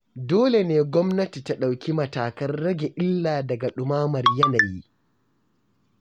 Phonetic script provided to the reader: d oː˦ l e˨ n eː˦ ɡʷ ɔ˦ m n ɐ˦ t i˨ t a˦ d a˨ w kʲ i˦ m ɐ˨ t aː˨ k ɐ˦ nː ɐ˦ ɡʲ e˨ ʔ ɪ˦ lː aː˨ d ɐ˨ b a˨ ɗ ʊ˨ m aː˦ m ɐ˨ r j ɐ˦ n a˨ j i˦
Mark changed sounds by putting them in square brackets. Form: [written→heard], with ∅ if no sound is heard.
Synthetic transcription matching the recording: d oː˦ l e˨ n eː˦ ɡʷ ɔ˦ m n ɐ˦ t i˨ t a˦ [d→ɗ] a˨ w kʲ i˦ m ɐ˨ t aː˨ k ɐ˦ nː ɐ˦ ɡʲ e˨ ʔ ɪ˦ lː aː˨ d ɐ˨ [b→ɡ] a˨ ɗ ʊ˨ m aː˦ m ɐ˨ r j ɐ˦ n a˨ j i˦